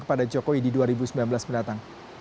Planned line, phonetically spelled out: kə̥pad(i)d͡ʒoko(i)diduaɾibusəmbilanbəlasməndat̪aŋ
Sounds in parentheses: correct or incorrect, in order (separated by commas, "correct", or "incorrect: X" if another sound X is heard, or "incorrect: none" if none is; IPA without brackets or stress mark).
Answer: incorrect: a, correct